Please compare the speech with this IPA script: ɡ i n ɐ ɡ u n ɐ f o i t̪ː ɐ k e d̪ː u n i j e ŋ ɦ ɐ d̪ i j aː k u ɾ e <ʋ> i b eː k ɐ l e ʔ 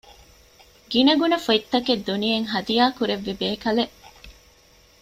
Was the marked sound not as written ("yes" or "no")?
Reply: yes